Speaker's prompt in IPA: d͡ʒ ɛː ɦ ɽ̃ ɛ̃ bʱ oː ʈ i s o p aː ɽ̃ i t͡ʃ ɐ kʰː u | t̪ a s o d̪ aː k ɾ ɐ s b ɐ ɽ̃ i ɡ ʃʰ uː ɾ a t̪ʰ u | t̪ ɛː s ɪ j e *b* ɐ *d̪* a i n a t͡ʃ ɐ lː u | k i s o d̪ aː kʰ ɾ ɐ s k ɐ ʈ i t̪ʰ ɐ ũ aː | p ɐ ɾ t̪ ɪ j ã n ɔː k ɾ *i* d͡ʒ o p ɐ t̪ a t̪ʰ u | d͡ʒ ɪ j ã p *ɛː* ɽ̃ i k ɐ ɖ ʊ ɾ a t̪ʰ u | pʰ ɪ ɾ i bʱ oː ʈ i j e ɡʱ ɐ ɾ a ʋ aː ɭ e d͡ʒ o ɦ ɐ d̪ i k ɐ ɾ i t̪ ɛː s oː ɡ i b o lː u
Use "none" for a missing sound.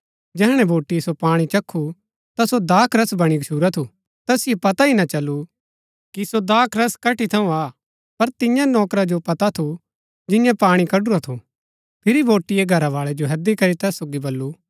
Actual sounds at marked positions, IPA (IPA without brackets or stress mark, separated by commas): p, t̪, a, aː